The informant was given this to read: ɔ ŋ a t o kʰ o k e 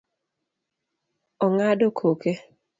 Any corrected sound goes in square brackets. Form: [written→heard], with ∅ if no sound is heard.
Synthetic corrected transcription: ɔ ŋ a [t→d] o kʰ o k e